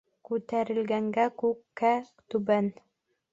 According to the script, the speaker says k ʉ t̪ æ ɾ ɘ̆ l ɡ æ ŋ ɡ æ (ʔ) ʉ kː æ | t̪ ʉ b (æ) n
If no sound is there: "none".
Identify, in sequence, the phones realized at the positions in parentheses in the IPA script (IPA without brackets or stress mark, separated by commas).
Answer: k, æ